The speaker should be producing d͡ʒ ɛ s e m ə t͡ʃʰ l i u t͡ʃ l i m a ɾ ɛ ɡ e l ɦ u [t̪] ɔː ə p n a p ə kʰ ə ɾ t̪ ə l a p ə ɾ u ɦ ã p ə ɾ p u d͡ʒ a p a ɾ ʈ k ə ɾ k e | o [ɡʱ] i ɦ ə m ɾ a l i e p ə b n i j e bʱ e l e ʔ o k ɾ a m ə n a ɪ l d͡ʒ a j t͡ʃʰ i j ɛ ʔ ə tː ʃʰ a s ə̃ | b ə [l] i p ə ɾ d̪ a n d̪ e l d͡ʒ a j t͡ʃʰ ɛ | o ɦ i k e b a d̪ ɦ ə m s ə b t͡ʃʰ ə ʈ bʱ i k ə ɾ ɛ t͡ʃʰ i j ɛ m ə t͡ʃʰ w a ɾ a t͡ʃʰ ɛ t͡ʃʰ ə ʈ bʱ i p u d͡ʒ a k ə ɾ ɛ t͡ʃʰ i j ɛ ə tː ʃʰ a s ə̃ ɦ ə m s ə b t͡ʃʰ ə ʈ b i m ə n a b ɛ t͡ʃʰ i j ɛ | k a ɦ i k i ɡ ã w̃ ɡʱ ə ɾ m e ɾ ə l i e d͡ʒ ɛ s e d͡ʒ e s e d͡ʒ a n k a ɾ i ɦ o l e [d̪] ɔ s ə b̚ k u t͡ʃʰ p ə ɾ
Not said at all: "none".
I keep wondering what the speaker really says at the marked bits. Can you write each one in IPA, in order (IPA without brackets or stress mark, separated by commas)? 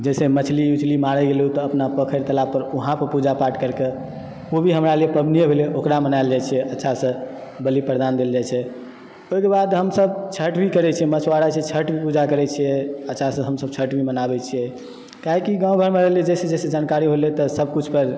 t̪, bʱ, l, t̪